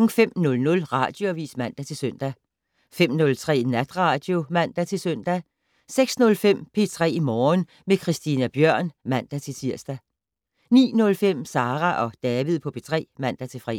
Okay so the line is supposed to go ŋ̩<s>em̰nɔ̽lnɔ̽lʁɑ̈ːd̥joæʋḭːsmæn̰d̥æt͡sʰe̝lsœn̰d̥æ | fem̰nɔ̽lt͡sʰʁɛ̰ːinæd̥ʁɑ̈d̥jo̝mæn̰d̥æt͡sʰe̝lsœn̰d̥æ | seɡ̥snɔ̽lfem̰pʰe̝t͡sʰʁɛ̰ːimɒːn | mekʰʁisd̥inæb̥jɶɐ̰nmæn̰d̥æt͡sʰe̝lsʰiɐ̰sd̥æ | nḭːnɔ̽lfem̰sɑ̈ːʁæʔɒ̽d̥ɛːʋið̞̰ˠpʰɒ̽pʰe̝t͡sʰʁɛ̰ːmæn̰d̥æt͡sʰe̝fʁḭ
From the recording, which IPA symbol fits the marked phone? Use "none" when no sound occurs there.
f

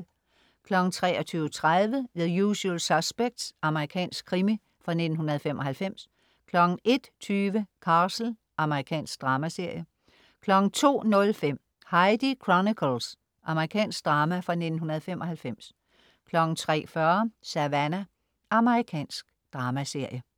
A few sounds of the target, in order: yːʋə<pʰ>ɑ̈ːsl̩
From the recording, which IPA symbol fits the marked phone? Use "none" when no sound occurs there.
kʰ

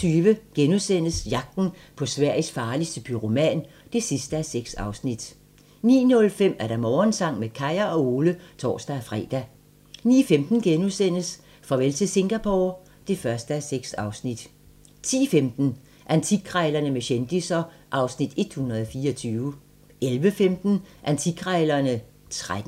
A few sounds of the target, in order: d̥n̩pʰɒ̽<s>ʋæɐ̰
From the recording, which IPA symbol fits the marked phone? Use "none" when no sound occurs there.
s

